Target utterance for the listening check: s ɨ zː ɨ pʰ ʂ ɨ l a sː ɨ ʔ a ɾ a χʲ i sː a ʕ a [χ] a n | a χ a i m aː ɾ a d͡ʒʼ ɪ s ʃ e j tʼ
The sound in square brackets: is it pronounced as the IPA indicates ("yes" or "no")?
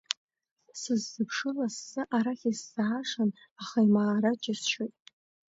no